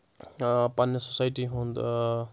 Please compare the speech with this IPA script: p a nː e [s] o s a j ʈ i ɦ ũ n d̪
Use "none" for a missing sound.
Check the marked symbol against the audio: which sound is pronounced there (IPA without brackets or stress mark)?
s